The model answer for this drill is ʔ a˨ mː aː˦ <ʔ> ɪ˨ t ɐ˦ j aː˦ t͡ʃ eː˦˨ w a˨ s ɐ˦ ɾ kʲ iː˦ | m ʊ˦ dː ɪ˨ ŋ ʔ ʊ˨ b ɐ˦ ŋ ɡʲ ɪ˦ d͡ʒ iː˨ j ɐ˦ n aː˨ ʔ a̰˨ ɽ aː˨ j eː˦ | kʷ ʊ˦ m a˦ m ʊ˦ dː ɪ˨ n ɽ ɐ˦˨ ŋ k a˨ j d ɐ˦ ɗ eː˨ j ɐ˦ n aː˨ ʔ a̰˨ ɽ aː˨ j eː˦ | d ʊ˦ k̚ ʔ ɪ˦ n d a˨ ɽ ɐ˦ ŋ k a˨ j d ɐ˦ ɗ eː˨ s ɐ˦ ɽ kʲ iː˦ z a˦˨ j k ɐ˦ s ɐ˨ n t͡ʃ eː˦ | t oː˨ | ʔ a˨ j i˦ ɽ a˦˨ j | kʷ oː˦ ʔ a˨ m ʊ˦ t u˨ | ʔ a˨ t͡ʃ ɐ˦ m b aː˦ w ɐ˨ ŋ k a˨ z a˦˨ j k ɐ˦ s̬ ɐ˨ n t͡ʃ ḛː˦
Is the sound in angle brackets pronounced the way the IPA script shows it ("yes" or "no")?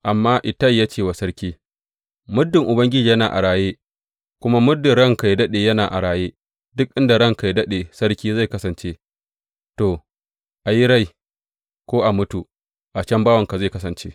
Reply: yes